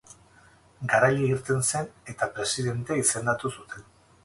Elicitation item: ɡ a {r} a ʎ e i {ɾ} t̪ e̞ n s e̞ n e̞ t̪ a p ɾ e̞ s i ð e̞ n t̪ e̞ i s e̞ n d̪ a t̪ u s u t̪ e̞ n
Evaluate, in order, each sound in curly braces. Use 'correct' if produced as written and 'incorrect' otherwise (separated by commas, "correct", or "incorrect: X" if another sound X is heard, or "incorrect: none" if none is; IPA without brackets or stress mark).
incorrect: ɾ, correct